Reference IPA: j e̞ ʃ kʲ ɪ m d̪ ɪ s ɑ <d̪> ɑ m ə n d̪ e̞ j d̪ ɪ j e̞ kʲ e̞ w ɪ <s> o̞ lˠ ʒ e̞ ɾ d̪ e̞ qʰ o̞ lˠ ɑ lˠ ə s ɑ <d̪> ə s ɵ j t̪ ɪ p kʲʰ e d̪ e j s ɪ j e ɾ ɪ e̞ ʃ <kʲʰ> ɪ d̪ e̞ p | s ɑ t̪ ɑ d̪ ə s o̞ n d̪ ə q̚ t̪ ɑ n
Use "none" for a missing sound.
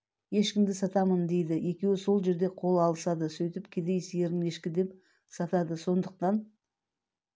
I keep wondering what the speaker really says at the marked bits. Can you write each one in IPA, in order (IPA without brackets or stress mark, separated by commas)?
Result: t̪, s, d̪, kʲ